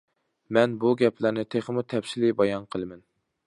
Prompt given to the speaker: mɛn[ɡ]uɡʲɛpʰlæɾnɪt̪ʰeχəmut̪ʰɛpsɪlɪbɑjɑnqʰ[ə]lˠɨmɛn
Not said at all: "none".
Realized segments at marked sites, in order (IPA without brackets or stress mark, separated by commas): b, ə